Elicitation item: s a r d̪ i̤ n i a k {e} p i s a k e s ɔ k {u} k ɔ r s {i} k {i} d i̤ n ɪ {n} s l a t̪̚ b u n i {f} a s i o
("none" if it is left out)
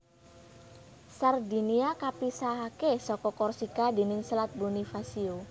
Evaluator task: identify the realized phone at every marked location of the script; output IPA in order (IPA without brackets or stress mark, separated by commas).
a, ɔ, i, a, ŋ, f